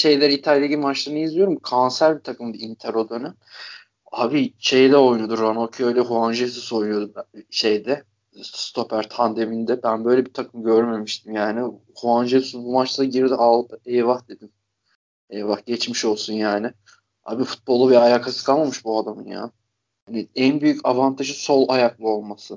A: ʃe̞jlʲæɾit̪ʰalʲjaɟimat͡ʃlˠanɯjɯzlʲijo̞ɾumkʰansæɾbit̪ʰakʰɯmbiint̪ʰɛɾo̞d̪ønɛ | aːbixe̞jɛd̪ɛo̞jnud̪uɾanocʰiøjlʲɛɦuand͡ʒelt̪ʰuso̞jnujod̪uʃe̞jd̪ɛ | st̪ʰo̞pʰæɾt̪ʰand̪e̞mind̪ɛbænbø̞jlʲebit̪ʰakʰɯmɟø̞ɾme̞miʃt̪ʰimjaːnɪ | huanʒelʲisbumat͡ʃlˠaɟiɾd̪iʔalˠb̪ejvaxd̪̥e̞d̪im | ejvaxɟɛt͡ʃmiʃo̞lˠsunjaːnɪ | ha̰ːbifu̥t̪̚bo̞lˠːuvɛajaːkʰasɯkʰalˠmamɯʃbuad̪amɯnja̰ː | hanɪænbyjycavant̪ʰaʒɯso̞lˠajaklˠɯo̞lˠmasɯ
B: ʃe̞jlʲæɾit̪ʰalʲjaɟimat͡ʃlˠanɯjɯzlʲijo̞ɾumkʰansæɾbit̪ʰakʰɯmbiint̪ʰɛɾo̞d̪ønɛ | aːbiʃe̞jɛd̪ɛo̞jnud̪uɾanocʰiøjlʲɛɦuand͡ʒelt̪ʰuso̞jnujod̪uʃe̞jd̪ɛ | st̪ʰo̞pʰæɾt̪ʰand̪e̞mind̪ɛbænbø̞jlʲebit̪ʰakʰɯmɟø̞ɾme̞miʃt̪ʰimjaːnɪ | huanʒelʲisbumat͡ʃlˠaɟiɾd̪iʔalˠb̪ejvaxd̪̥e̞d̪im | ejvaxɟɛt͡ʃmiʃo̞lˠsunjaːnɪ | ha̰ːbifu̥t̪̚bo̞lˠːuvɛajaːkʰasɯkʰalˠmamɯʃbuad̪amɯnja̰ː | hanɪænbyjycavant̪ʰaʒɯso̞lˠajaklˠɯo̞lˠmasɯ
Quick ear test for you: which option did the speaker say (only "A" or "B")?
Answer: B